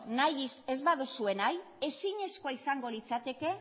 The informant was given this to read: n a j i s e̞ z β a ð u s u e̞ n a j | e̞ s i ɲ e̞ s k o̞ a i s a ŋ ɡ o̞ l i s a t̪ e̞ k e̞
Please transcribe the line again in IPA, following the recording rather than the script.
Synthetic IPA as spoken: n a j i s e̞ z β a ð u s u e̞ n a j | e̞ s i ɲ e̞ s k o̞ a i s a ŋ ɡ o̞ l i t͡s a t̪ e̞ k e̞